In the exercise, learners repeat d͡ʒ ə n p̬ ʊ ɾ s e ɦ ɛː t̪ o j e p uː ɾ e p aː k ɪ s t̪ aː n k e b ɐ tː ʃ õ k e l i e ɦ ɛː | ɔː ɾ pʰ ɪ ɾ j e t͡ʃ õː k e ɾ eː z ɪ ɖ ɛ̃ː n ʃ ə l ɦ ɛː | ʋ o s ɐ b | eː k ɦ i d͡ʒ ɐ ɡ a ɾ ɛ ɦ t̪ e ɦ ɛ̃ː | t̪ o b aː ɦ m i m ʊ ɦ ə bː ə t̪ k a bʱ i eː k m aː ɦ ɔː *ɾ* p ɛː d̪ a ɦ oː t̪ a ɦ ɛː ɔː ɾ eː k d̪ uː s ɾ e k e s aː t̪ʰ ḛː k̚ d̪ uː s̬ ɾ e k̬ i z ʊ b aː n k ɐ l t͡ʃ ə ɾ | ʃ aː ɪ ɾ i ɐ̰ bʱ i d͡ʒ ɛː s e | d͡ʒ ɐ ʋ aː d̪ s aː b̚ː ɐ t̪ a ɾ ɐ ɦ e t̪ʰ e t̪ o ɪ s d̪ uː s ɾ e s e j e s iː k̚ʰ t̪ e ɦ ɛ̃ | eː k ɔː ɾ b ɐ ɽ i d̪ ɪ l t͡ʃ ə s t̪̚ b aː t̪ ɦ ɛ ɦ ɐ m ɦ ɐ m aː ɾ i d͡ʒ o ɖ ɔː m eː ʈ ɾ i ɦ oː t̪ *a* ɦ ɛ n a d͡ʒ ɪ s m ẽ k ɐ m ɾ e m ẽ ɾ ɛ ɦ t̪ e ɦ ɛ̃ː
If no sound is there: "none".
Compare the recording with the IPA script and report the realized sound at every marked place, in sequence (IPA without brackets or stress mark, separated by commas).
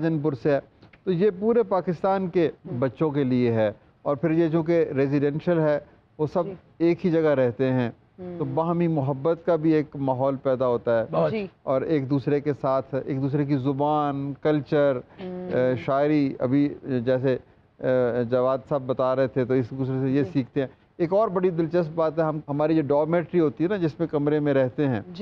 l, i